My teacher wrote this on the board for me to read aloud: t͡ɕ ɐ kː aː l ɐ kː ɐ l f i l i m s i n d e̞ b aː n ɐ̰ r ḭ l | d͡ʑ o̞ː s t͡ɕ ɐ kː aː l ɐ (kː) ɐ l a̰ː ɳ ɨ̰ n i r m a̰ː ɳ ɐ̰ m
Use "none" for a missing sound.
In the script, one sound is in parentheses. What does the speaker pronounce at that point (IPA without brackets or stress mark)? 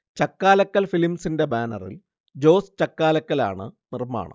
kː